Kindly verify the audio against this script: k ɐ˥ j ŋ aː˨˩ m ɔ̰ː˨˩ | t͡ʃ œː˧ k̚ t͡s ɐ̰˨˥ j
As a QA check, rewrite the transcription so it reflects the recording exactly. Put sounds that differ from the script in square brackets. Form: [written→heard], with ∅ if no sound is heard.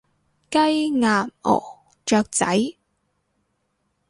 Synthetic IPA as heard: k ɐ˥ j ŋ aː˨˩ m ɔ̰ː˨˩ | t͡ʃ œː˧ k̚ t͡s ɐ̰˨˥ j